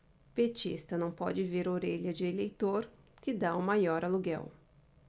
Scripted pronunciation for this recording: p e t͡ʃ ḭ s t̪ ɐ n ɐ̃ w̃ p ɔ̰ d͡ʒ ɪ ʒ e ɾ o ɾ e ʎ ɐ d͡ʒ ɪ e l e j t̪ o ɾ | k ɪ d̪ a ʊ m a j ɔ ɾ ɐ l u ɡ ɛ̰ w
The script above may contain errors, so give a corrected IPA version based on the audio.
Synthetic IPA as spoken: p e t͡ʃ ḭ s t̪ ɐ n ɐ̃ w̃ p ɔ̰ d͡ʒ ɪ v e ɾ o ɾ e ʎ ɐ d͡ʒ ɪ e l e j t̪ o ɾ | k ɪ d̪ a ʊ m a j ɔ ɾ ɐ l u ɡ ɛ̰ w